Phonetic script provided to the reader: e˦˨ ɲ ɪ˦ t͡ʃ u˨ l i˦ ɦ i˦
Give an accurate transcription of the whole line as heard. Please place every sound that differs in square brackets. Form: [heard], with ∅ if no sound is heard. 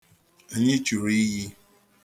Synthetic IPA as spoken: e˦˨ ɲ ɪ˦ t͡ʃ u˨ [ɾ] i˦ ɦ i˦